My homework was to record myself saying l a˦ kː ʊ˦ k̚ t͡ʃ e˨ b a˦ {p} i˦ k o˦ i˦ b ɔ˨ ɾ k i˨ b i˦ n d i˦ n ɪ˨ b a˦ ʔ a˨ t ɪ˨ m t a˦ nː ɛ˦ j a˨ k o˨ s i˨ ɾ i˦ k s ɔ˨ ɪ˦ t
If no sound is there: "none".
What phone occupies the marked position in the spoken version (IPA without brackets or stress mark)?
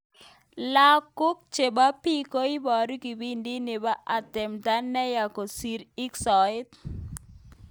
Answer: p